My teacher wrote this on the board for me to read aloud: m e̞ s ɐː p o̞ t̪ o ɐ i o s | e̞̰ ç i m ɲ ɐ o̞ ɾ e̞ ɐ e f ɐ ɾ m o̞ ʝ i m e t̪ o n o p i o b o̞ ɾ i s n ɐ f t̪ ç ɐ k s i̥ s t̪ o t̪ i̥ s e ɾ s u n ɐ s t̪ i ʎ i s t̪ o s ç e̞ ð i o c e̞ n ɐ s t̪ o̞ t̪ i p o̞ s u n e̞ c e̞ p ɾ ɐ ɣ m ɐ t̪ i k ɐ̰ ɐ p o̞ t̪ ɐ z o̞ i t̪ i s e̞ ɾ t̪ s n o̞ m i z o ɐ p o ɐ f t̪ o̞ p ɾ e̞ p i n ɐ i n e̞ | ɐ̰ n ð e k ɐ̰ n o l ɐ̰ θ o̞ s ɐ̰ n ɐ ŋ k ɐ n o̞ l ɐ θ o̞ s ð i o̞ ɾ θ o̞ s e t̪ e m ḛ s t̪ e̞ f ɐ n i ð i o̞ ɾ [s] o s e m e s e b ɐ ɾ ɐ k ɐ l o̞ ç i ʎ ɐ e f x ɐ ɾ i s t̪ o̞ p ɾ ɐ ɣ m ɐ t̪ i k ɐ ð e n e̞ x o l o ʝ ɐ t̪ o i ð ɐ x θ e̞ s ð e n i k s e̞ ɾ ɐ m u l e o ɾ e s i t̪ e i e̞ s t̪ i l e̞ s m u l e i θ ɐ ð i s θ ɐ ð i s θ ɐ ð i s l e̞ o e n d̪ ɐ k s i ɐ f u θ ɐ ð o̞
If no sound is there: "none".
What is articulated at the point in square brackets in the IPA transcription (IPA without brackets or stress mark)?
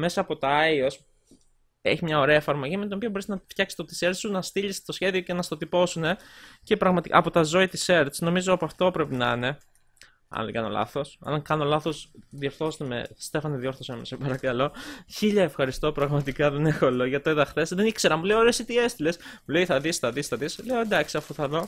θ